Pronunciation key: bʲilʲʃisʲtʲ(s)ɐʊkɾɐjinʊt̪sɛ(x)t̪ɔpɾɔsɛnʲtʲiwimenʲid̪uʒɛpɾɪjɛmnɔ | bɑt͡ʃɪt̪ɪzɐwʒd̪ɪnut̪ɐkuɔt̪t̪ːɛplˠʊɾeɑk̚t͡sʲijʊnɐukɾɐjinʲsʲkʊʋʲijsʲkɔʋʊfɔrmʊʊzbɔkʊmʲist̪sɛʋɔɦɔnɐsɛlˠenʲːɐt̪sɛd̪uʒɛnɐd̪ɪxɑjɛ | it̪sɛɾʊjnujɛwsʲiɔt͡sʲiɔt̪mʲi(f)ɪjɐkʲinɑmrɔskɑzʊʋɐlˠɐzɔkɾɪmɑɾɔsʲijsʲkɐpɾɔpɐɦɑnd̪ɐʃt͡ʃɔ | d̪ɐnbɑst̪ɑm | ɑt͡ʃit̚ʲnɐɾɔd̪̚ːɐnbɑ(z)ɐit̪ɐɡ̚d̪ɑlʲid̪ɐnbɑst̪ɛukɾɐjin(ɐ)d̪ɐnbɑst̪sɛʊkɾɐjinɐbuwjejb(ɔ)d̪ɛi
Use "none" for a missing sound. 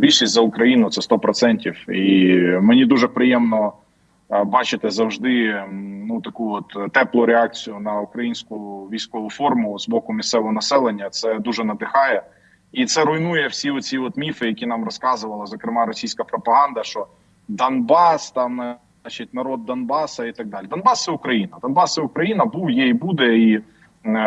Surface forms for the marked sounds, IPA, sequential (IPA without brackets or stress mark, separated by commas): z, s, f, s, ɐ, u